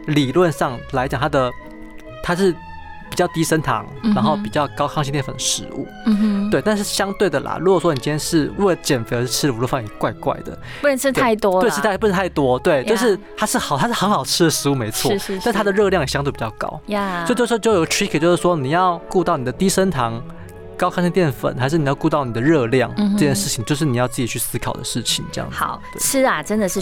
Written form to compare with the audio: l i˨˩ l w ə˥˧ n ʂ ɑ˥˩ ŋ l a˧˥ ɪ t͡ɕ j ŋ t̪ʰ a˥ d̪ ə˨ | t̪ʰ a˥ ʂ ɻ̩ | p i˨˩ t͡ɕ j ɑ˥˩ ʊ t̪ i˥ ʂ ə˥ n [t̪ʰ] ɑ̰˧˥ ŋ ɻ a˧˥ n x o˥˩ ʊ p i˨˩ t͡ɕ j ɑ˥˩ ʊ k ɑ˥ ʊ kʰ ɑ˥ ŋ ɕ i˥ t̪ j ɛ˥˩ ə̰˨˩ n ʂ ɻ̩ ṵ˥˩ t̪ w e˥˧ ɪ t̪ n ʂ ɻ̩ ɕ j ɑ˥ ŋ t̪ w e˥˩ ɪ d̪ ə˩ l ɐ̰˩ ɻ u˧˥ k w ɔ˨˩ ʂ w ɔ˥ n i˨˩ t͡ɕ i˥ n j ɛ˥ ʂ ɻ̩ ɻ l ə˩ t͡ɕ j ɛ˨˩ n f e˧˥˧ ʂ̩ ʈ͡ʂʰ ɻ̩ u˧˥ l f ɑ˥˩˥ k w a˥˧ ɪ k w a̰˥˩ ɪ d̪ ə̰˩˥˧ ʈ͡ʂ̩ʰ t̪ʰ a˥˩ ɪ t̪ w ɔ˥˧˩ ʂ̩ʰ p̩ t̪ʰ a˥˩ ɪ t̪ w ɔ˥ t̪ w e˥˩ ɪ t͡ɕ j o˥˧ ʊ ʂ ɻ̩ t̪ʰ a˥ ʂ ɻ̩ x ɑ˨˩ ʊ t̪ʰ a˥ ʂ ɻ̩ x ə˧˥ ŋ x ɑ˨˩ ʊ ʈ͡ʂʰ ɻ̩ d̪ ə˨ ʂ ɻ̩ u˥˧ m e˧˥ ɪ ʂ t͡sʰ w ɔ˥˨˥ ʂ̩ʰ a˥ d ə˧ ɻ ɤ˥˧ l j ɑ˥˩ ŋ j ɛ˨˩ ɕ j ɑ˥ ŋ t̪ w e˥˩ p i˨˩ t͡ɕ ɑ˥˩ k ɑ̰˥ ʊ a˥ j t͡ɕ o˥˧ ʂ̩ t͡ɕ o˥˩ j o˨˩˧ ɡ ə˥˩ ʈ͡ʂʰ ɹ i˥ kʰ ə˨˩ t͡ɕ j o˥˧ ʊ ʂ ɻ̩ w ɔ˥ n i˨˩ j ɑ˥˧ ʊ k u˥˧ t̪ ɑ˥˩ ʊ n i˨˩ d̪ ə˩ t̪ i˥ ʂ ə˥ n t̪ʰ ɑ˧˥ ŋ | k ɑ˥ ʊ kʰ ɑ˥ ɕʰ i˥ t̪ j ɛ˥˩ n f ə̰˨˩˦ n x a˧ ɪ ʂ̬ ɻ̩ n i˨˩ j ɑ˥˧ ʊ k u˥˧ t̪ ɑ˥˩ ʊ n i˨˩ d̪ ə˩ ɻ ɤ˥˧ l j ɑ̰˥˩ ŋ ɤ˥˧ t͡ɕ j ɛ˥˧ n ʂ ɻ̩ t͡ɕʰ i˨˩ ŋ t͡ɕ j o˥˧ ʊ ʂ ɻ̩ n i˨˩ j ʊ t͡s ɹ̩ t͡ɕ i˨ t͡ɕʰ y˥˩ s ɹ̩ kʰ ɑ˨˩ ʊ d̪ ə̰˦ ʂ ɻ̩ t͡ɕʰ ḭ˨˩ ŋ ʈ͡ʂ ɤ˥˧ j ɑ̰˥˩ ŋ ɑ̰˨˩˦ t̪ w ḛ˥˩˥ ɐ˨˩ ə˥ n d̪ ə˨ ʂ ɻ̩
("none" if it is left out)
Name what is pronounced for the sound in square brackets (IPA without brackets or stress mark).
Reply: t̪ʰ